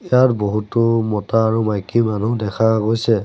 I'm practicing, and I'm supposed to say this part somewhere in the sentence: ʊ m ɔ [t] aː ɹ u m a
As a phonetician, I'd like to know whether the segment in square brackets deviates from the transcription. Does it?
no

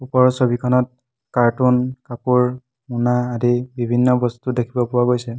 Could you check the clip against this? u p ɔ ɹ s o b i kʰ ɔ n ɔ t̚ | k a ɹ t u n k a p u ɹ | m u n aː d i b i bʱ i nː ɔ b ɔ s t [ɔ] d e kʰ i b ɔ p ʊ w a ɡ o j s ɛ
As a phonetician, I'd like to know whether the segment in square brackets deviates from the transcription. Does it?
yes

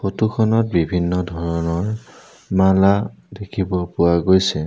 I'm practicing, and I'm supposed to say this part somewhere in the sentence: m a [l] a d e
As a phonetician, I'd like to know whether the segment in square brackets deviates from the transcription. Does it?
no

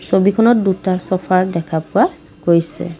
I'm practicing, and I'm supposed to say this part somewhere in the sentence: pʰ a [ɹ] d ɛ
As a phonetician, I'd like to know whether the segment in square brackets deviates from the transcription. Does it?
no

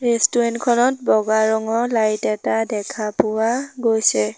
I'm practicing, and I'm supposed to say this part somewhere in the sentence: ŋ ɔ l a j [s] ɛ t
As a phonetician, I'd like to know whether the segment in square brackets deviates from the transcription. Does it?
yes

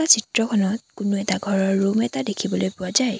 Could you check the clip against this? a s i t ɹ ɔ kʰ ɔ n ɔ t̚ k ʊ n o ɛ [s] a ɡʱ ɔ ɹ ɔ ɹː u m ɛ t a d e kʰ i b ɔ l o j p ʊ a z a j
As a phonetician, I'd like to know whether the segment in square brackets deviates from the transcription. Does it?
yes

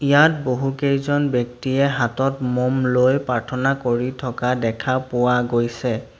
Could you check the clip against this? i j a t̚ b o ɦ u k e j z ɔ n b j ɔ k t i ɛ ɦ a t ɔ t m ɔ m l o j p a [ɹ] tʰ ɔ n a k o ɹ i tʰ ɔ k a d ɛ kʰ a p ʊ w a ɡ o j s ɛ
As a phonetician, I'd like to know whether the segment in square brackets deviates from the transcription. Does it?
no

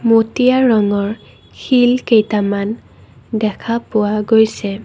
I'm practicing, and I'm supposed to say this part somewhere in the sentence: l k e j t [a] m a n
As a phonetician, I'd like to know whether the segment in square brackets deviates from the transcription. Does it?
no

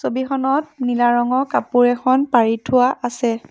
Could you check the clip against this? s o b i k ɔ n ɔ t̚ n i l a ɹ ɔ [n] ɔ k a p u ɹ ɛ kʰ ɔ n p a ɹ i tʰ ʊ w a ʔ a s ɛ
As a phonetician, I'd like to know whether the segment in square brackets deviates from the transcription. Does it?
yes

